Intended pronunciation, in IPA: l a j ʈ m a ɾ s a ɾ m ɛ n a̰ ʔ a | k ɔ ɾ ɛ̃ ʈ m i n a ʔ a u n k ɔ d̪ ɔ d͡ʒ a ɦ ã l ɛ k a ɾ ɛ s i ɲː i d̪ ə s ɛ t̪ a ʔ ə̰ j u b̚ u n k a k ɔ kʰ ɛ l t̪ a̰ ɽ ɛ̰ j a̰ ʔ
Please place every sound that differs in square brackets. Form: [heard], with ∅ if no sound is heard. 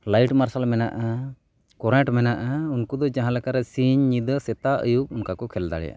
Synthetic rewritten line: l a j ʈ m a ɾ s a [l] m ɛ n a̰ ʔ a | k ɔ ɾ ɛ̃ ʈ m [ɛ] n a ʔ a u n k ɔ d̪ ɔ d͡ʒ a ɦ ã l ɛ k a ɾ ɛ s i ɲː i d̪ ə s ɛ t̪ a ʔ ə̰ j u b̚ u n k a k ɔ kʰ ɛ l [d̪] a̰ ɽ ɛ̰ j a̰ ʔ